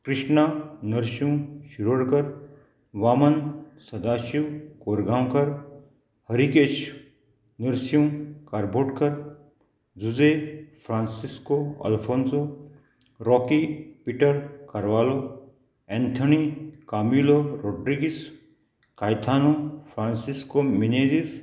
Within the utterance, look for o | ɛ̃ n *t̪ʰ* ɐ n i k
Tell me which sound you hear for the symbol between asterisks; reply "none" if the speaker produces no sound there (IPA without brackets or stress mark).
t̪ʰ